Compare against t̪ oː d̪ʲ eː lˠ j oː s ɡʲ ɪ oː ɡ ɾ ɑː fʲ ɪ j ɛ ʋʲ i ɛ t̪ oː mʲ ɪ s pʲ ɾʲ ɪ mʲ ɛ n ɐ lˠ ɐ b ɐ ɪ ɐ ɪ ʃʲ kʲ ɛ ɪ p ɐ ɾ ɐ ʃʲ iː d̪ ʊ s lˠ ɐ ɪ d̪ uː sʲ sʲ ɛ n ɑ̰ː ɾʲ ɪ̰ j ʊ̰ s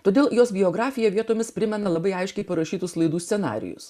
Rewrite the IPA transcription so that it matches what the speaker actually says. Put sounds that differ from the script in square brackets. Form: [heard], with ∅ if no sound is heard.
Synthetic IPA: t̪ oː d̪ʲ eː lˠ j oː s [bʲ] ɪ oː ɡ ɾ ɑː fʲ ɪ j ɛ ʋʲ i ɛ t̪ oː mʲ ɪ s pʲ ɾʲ ɪ mʲ ɛ n ɐ lˠ ɐ b ɐ ɪ ɐ ɪ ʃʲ kʲ ɛ ɪ p ɐ ɾ ɐ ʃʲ iː [t̪] ʊ s lˠ ɐ ɪ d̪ uː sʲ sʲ ɛ n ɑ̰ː ɾʲ ɪ̰ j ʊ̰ s